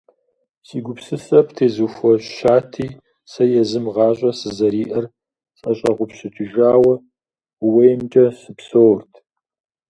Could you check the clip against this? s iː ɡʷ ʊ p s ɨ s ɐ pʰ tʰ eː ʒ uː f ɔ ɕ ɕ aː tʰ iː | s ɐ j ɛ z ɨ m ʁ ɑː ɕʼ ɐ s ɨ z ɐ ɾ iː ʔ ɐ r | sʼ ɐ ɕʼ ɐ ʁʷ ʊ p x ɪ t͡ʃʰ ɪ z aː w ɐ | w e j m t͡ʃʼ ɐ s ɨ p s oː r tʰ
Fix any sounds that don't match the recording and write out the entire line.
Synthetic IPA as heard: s iː ɡʷ ʊ p s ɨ s ɐ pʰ tʰ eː z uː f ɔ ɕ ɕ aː tʰ iː | s ɐ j ɛ z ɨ m ʁ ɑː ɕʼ ɐ s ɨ z ɐ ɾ iː ʔ ɐ r | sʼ ɐ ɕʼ ɐ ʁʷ ʊ p ɕ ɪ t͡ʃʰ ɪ ʒ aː w ɐ | w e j m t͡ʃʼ ɐ s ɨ p s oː r tʰ